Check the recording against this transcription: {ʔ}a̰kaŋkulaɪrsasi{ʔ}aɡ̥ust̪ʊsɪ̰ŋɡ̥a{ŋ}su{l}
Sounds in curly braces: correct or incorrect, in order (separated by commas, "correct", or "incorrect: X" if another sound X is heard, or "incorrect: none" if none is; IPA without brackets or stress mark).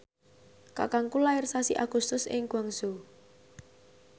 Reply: incorrect: k, correct, correct, incorrect: none